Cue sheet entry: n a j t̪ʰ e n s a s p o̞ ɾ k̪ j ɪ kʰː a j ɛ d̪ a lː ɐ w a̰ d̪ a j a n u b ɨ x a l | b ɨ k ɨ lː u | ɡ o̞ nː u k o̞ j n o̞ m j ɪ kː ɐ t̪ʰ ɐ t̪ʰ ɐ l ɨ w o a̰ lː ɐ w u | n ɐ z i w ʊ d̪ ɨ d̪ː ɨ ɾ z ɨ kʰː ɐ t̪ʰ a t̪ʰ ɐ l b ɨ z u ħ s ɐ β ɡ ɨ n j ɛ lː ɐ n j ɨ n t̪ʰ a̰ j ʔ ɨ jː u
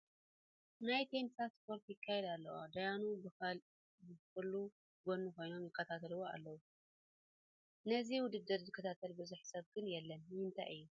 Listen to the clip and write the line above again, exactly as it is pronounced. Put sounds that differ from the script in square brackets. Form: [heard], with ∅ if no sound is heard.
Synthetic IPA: n a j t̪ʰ e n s a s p o̞ ɾ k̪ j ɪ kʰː a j ɛ d̪ a lː ɐ w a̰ d̪ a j a n u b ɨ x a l | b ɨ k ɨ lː u | ɡ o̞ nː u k o̞ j n o̞ m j ɪ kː ɐ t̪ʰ [a] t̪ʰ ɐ l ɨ w o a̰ lː ɐ w u | n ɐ z i w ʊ d̪ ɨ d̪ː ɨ ɾ z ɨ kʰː ɐ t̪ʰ a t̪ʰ ɐ l b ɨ z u ħ s ɐ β ɡ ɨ n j ɛ lː ɐ n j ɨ n t̪ʰ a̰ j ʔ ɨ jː u

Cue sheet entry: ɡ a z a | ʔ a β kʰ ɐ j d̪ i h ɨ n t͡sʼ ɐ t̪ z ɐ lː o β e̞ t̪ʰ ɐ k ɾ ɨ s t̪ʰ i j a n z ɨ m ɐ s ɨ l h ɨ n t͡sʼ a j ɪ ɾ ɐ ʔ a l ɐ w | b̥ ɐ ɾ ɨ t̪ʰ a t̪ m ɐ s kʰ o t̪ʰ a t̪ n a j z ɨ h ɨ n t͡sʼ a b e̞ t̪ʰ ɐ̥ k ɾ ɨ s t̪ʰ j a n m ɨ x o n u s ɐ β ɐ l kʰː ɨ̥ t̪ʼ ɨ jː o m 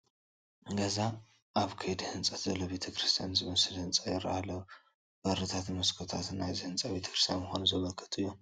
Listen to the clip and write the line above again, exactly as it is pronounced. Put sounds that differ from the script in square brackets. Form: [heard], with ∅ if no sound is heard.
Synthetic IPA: ɡ [ɐ] z a | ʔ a β kʰ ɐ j d̪ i h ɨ n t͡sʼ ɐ t̪ z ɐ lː o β e̞ t̪ʰ ɐ k ɾ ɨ s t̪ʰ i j a n z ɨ m ɐ s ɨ l h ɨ n t͡sʼ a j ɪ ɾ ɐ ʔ a l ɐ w | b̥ ɐ ɾ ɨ t̪ʰ a t̪ m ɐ s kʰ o t̪ʰ a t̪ n a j z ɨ h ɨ n t͡sʼ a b e̞ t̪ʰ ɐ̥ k ɾ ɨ s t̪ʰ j a n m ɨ x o n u [z] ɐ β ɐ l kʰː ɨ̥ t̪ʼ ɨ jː o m

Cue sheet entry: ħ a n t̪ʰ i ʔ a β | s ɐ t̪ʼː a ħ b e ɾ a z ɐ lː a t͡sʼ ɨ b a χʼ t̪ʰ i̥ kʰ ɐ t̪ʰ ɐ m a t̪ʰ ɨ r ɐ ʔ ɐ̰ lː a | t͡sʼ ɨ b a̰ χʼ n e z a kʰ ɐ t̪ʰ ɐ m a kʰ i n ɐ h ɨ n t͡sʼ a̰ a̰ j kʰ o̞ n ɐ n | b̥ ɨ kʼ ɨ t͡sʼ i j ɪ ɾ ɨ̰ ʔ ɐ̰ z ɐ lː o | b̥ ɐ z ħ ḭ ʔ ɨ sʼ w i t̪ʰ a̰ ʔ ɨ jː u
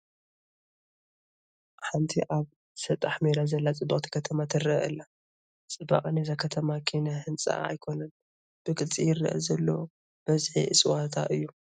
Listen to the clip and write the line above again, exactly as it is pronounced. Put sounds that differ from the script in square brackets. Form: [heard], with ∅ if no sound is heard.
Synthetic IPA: ħ a n t̪ʰ i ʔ a β | s ɐ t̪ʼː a ħ [m] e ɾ a z ɐ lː a t͡sʼ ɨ b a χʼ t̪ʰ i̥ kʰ ɐ t̪ʰ ɐ m a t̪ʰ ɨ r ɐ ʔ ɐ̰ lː a | t͡sʼ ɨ b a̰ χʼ n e z a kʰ ɐ t̪ʰ ɐ m a kʰ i n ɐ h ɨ n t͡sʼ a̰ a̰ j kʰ o̞ n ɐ n | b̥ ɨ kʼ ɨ t͡sʼ i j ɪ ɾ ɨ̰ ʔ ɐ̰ z ɐ lː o | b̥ ɐ z ħ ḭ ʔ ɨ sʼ w [a] t̪ʰ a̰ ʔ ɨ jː u

